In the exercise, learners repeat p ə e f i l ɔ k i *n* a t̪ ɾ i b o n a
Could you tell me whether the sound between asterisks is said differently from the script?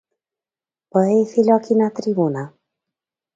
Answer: no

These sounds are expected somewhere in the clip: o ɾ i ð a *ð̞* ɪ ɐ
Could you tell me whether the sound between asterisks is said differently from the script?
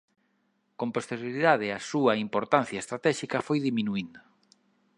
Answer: no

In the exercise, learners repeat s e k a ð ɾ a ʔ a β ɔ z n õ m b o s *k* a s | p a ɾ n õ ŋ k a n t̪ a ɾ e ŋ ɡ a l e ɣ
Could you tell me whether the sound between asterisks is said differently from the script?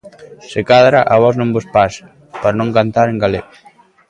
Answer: yes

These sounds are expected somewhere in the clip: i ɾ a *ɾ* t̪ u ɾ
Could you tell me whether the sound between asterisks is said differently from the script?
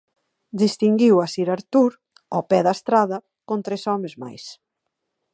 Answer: no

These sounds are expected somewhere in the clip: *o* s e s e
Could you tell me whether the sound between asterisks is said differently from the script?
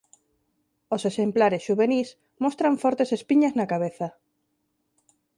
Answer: no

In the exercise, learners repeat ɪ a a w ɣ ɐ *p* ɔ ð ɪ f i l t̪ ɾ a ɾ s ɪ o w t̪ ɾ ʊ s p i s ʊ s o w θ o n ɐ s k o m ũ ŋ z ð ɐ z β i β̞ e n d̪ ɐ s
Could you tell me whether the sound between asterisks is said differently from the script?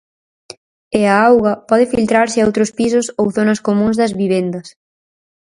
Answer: no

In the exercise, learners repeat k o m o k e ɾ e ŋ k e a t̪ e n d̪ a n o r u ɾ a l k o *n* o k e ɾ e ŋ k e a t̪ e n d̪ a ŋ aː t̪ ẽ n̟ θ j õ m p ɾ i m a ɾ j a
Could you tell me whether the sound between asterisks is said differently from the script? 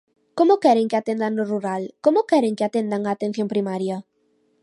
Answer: yes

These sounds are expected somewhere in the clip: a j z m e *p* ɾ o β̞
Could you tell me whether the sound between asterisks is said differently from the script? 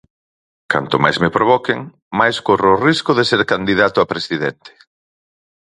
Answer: no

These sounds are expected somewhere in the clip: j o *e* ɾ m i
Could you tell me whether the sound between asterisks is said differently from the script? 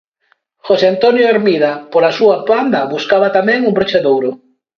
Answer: no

